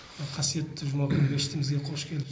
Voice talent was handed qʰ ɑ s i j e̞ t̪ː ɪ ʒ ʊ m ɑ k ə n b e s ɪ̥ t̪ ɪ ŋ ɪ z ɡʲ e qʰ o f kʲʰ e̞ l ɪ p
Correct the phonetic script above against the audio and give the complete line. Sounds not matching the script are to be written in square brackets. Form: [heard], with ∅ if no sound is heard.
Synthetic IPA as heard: qʰ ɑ s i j e̞ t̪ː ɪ ʒ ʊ m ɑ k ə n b e [ʃ] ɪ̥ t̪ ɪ [m] ɪ z ɡʲ e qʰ o [ʃ] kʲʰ e̞ l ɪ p